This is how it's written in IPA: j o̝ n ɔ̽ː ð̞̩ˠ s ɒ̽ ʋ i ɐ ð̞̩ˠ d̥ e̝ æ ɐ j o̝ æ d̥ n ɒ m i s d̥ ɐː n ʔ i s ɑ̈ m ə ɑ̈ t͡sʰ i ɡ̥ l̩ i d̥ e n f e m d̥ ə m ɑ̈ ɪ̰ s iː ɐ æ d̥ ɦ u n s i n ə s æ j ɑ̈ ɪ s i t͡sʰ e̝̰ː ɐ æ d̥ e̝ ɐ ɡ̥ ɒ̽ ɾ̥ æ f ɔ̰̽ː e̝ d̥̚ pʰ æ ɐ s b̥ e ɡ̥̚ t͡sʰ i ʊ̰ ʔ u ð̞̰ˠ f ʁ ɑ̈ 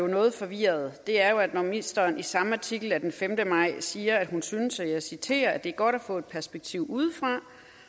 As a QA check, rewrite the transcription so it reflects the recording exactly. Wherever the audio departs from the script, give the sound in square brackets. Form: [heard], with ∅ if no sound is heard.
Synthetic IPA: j o̝ n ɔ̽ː ð̞̩ˠ [f] ɒ̽ ʋ i ɐ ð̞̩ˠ d̥ e̝ æ ɐ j o̝ æ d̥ n ɒ m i s d̥ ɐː n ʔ i s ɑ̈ m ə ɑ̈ t͡sʰ i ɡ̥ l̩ [æ] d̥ e n f e m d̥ ə m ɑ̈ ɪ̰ s iː ɐ æ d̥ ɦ u n s [y] n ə s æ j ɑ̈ ɪ s i t͡sʰ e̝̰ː ɐ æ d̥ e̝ ɐ ɡ̥ ɒ̽ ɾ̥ æ f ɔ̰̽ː e̝ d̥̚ pʰ æ ɐ s b̥ e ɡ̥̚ t͡sʰ i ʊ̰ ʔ u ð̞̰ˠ f ʁ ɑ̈